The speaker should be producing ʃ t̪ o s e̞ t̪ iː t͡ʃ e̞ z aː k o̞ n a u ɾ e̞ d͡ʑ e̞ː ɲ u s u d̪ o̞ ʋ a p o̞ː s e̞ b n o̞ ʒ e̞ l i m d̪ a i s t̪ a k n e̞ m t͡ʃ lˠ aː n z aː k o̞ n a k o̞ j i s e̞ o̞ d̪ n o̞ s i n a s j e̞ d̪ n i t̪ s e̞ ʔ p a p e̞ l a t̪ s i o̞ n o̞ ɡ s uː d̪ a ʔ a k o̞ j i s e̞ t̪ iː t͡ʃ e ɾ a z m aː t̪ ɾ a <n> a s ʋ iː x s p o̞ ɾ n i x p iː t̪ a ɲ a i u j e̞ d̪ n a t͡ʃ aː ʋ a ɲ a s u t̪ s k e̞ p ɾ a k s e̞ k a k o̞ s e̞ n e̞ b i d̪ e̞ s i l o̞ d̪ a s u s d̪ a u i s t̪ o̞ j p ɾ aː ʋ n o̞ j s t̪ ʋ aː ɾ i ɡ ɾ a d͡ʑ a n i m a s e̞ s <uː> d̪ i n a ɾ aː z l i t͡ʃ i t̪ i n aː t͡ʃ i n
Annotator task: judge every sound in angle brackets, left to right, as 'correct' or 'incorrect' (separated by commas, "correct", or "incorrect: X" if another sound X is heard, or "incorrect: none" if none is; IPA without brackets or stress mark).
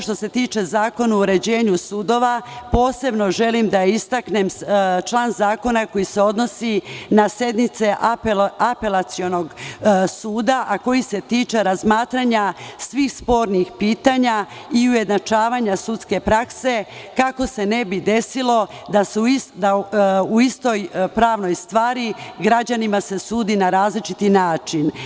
incorrect: ɲ, correct